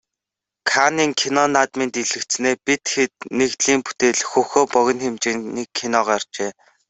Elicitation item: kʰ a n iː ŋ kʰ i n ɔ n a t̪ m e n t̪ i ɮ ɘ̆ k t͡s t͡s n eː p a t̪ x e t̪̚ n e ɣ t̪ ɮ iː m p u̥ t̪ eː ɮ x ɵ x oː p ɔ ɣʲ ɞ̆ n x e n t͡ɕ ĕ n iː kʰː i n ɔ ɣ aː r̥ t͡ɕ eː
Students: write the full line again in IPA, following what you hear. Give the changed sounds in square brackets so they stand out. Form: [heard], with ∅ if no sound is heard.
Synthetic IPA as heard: kʰ a n iː ŋ kʰ i n ɔ n a t̪ m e n t̪ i ɮ ɘ̆ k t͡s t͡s n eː p [i] t̪ x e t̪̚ n e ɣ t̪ ɮ iː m p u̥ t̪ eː ɮ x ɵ x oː p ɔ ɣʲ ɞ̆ n x e [m] t͡ɕ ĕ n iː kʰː i n ɔ [ʁ] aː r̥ t͡ɕ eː